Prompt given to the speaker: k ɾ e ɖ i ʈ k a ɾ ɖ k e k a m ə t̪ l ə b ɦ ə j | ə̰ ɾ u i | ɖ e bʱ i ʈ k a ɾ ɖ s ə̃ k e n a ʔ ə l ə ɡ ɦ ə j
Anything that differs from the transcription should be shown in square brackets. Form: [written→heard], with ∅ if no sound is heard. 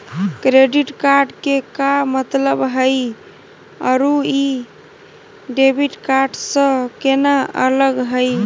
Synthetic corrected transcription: k ɾ e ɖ i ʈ k a ɾ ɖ k e k a m ə t̪ l ə b ɦ ə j | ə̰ ɾ u i | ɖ e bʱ i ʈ k a ɾ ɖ s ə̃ k e n a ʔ ə l ə ɡ ɦ ə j

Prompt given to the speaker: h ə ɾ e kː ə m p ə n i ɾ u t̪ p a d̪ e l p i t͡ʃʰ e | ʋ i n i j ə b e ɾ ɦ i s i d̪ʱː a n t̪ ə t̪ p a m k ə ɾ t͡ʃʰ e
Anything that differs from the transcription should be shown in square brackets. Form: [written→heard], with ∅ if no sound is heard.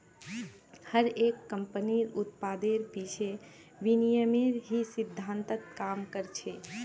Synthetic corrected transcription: h ə ɾ e kː ə m p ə n i ɾ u t̪ p a d̪ e [l→ɾ] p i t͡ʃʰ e | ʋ i n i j ə [b→m] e ɾ ɦ i s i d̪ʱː a n t̪ ə t̪ [p→k] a m k ə ɾ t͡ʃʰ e

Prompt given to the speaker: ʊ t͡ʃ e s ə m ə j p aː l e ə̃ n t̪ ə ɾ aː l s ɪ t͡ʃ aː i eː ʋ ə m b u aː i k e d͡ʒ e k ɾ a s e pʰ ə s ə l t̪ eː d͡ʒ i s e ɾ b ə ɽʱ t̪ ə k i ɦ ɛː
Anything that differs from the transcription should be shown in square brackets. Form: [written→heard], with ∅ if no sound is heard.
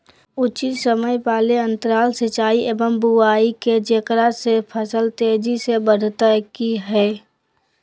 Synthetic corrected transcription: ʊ t͡ʃ [e→i] s ə m ə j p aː l e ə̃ n t̪ ə ɾ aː l s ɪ t͡ʃ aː i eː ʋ ə m b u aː i k e d͡ʒ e k ɾ a s e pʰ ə s ə l t̪ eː d͡ʒ i s e [ɾ→∅] b ə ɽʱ t̪ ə k i ɦ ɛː

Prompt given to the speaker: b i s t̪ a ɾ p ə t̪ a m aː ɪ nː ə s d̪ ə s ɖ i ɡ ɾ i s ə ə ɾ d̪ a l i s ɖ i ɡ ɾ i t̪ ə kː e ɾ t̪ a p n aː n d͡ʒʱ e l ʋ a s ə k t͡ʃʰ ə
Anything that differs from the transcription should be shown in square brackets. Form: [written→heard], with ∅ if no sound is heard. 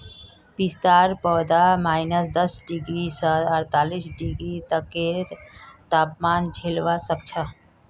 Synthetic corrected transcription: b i s t̪ a ɾ p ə [t̪→d̪] a m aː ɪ [nː→n] ə s d̪ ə s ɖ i ɡ ɾ i s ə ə ɾ [d̪→t̪] a l i s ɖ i ɡ ɾ i t̪ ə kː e ɾ t̪ a p [n→m] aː n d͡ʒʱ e l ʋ a s ə k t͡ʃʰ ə

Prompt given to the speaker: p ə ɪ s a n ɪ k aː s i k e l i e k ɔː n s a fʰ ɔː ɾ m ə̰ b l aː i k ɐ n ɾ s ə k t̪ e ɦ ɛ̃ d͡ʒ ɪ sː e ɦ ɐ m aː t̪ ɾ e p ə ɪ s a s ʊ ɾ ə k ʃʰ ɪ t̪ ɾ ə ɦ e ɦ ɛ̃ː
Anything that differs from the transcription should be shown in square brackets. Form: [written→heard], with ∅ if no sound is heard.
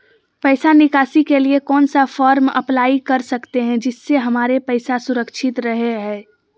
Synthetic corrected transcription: p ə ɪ s a n ɪ k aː s i k e l i e k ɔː n s a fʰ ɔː ɾ m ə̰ [b→p] l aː i k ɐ [n→∅] ɾ s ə k t̪ e ɦ ɛ̃ d͡ʒ ɪ sː e ɦ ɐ m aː [t̪→∅] ɾ e p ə ɪ s a s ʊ ɾ ə k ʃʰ ɪ t̪ ɾ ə ɦ e ɦ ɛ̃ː

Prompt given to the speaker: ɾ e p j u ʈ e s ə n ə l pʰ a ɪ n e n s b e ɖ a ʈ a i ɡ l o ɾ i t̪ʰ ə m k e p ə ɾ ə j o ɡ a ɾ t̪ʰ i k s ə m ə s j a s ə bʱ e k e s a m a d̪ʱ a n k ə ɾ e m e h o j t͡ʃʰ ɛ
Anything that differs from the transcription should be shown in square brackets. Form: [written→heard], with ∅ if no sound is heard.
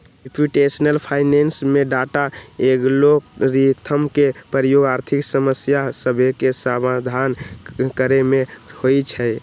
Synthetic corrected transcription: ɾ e p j u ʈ e s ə n ə l pʰ a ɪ n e n s [b→m] e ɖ a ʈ a [i→e] ɡ l o ɾ i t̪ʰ ə m k e p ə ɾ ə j o ɡ a ɾ t̪ʰ i k s ə m ə s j a s ə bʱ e k e s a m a d̪ʱ a n k ə ɾ e m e h o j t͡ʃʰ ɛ

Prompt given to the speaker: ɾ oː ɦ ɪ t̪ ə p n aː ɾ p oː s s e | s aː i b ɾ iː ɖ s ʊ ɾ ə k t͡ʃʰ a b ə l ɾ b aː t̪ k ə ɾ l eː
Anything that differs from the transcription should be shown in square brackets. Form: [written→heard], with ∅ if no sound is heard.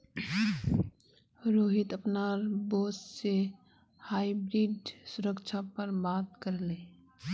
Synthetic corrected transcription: ɾ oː ɦ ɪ t̪ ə p n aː ɾ [p→b] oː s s e | [s→h] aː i b ɾ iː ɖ s ʊ ɾ ə k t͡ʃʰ a [b→p] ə [l→∅] ɾ b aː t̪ k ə ɾ l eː

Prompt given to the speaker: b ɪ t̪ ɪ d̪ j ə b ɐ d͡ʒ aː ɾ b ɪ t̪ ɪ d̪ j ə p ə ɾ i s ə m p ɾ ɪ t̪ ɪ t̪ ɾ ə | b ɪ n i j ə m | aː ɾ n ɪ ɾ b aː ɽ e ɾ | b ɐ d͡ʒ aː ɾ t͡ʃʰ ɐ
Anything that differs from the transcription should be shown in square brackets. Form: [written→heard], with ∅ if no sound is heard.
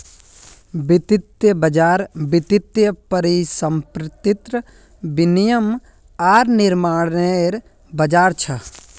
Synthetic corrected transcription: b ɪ t̪ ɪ [d̪→t̪] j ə b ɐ d͡ʒ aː ɾ b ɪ t̪ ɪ [d̪→t̪] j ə p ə ɾ i s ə m p ɾ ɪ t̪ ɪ t̪ ɾ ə | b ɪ n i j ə m | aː ɾ n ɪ ɾ [b→m] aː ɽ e ɾ | b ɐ d͡ʒ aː ɾ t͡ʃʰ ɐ

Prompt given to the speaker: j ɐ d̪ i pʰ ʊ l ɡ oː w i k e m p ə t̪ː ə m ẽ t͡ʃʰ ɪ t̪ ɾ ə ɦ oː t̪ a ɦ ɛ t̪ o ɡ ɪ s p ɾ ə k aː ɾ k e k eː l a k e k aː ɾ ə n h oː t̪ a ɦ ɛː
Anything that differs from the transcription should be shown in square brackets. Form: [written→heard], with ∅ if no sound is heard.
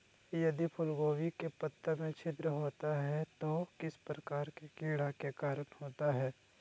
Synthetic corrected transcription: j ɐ d̪ i pʰ ʊ l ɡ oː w i k e [m→∅] p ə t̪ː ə m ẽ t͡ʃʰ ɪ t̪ ɾ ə ɦ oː t̪ a ɦ ɛ t̪ o [ɡ→k] ɪ s p ɾ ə k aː ɾ k e k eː [l→ɽ] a k e k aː ɾ ə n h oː t̪ a ɦ ɛː

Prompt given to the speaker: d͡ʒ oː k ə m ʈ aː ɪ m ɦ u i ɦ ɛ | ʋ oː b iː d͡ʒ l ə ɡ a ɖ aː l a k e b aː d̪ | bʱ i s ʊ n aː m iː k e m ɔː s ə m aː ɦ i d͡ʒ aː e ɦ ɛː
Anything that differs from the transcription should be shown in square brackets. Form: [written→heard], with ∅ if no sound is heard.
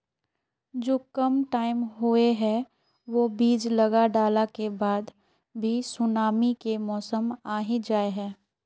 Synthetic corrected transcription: d͡ʒ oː k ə m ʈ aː ɪ m ɦ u [i→e] ɦ ɛ | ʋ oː b iː d͡ʒ l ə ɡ a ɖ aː l a k e b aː d̪ | bʱ i s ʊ n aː m [iː→i] k e m ɔː s ə m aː ɦ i d͡ʒ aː e ɦ ɛː

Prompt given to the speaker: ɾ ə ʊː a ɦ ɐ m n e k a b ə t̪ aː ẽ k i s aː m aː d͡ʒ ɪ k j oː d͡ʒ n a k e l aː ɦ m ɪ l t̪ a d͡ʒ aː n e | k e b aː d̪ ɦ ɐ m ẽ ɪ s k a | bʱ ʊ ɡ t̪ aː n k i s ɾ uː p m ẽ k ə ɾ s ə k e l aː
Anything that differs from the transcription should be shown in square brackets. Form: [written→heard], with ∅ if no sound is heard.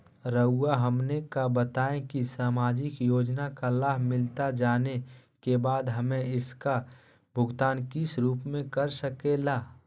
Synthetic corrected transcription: ɾ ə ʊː a ɦ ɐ m n e k a b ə t̪ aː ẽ k i s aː m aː d͡ʒ ɪ k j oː d͡ʒ n a k [e→a] l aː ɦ m ɪ l t̪ a d͡ʒ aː n e | k e b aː d̪ ɦ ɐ m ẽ ɪ s k a | bʱ ʊ ɡ t̪ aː n k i s ɾ uː p m ẽ k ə ɾ s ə k e l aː

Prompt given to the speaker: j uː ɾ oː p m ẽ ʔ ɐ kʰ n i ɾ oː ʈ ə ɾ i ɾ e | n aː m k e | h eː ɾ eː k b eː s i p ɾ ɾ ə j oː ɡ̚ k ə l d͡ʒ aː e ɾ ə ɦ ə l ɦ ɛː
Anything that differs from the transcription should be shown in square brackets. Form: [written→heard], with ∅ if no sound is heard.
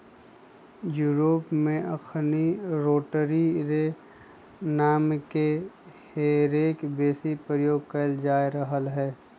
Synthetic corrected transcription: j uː ɾ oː p m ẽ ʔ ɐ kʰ n i ɾ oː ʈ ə ɾ i ɾ e | n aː m k e | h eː ɾ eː k b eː s i p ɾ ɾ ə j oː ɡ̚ k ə l d͡ʒ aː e ɾ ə ɦ ə l ɦ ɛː

